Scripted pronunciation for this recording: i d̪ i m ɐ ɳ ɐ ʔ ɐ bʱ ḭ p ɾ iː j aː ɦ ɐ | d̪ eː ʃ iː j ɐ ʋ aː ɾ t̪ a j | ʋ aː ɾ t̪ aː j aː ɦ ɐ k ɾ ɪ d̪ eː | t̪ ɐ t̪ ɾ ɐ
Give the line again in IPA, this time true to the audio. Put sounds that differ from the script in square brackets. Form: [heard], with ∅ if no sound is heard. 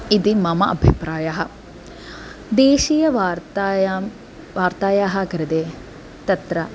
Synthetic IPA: i d̪ i m ɐ [m] ɐ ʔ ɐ bʱ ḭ p ɾ [aː] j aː ɦ ɐ | d̪ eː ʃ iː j ɐ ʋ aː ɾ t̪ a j | ʋ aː ɾ t̪ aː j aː ɦ ɐ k ɾ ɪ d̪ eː | t̪ ɐ t̪ ɾ ɐ

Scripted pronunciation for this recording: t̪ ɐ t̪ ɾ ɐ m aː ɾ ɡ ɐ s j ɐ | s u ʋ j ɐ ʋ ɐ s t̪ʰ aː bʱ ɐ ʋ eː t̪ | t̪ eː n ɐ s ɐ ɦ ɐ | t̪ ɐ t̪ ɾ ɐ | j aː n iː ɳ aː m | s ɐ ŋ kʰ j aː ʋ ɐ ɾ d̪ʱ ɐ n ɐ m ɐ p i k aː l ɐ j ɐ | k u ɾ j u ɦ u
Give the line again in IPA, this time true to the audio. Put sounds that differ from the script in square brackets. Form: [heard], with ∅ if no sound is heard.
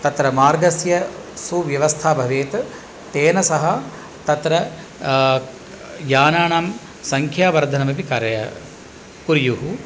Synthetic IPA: t̪ ɐ t̪ ɾ ɐ m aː ɾ ɡ ɐ s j ɐ | s u ʋ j ɐ ʋ ɐ s t̪ʰ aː bʱ ɐ ʋ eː t̪ | t̪ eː n ɐ s ɐ ɦ ɐ | t̪ ɐ t̪ ɾ ɐ | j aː n [aː] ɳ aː m | s ɐ ŋ kʰ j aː ʋ ɐ ɾ d̪ʱ ɐ n ɐ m ɐ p i k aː [ɾ] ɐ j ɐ | k u ɾ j u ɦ u

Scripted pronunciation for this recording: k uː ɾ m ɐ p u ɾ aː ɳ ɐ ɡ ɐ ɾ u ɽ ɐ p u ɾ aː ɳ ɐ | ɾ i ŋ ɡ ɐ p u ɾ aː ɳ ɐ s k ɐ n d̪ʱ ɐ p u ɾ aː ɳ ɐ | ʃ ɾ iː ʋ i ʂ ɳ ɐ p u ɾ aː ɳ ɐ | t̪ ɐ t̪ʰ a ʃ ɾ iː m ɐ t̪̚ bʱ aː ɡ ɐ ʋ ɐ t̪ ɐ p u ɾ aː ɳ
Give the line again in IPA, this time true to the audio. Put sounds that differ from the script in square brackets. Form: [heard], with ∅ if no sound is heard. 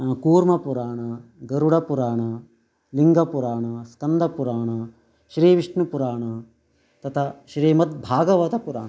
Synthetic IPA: k uː ɾ m ɐ p u ɾ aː ɳ ɐ ɡ ɐ ɾ u ɽ ɐ p u ɾ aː ɳ ɐ | [l] i ŋ ɡ ɐ p u ɾ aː ɳ ɐ s k ɐ n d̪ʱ ɐ p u ɾ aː ɳ ɐ | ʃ ɾ iː ʋ i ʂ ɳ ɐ p u ɾ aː ɳ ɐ | t̪ ɐ t̪ʰ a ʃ ɾ iː m ɐ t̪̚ bʱ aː ɡ ɐ ʋ ɐ t̪ ɐ p u ɾ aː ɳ

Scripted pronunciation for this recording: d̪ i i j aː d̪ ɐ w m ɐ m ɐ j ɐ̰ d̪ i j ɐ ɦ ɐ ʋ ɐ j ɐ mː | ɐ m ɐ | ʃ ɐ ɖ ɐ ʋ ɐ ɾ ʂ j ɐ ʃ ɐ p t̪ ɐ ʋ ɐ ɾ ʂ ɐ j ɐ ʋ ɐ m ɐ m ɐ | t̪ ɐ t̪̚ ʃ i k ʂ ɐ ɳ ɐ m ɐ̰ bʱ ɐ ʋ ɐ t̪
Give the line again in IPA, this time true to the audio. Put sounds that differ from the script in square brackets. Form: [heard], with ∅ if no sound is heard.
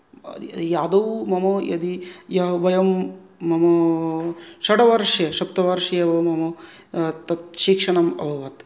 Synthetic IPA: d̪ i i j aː d̪ ɐ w m ɐ m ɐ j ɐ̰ d̪ i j ɐ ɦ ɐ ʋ ɐ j ɐ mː | ɐ m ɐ | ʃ ɐ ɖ ɐ ʋ ɐ ɾ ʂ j ɐ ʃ ɐ p t̪ ɐ ʋ ɐ ɾ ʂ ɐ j ɐ ʋ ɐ m ɐ m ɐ | t̪ ɐ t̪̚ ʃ i k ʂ ɐ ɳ ɐ m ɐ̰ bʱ ɐ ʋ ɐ t̪

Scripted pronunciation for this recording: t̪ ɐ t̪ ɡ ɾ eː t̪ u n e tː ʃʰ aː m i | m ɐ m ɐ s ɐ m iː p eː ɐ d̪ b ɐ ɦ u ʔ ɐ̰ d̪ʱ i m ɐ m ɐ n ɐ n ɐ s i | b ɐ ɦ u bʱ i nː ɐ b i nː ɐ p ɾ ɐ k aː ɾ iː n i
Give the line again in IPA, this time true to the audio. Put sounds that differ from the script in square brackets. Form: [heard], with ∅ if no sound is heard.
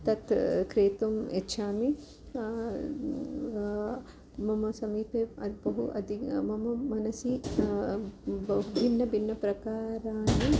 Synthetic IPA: t̪ ɐ t̪ [k] ɾ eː t̪ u [m] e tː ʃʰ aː m i | m ɐ m ɐ s ɐ m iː p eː ɐ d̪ b ɐ ɦ u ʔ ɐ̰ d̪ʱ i m ɐ m ɐ [m] ɐ n ɐ s i | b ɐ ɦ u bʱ i nː ɐ b i nː ɐ p ɾ ɐ k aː ɾ [aː] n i

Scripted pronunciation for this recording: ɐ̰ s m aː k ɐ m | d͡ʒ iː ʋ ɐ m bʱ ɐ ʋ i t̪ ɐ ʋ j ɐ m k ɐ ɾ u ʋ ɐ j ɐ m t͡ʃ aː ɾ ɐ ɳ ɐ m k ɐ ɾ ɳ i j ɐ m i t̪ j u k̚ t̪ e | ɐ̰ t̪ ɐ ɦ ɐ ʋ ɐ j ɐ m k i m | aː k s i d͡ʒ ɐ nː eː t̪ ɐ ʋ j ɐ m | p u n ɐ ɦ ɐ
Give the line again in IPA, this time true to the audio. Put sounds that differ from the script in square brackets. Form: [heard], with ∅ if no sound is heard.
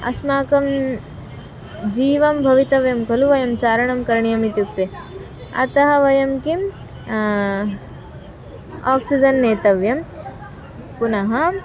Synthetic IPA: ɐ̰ s m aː k ɐ m | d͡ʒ iː ʋ ɐ m bʱ ɐ ʋ i t̪ ɐ ʋ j ɐ m k ɐ [l] u ʋ ɐ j ɐ m t͡ʃ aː ɾ ɐ ɳ ɐ m k ɐ ɾ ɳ i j ɐ m i t̪ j u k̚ t̪ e | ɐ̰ t̪ ɐ ɦ ɐ ʋ ɐ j ɐ m k i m | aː k s i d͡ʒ ɐ nː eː t̪ ɐ ʋ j ɐ m | p u n ɐ ɦ ɐ

